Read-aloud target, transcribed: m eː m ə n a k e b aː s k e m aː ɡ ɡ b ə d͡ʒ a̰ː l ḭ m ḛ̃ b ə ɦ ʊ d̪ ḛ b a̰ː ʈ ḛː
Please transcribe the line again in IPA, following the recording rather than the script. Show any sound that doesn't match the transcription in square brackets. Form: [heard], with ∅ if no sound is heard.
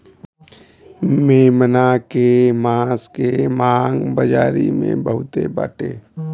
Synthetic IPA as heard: m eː m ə n a k e [m] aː s k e m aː [ŋ] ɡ b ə d͡ʒ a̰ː [ɾ] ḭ m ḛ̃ b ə ɦ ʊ [t̪] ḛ b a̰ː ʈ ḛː